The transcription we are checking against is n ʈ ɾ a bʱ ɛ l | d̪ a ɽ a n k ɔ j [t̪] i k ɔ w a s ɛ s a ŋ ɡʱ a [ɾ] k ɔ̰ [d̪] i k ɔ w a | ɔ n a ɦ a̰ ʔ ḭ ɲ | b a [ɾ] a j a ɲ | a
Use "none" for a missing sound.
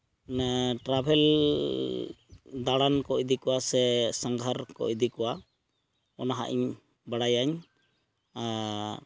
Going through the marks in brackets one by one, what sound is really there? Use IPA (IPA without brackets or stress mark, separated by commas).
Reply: d̪, ɾ, d̪, ɽ